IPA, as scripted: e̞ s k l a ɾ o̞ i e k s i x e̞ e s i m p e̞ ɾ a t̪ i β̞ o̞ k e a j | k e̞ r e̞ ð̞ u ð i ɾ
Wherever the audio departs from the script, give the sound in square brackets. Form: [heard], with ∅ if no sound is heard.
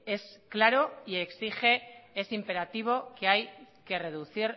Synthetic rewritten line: e̞ s k l a ɾ o̞ i e k s i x e̞ e s i m p e̞ ɾ a t̪ i β̞ o̞ k e a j | k e̞ r e̞ ð̞ u [θ] i ɾ